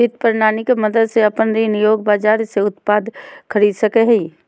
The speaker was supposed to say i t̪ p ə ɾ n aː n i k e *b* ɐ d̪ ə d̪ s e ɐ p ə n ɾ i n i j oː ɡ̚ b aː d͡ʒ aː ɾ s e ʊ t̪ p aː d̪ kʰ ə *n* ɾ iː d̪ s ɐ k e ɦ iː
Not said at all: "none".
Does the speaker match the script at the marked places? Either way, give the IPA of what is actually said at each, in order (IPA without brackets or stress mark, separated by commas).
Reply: m, none